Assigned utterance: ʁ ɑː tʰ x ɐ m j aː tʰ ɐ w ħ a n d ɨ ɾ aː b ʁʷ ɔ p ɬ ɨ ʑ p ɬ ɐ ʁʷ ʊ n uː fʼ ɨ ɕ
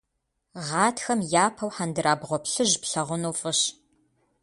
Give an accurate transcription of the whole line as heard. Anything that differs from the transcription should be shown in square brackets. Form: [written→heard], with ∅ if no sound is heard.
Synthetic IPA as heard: ʁ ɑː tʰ x ɐ m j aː [tʰ→pʰ] ɐ w ħ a n d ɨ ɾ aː b ʁʷ ɔ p ɬ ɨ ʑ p ɬ ɐ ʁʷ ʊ n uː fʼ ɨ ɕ